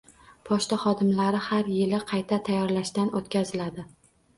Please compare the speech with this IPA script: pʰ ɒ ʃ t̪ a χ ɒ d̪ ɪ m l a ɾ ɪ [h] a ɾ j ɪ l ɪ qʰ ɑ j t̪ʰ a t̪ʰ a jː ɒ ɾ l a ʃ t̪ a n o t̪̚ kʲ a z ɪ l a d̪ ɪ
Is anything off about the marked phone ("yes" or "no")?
no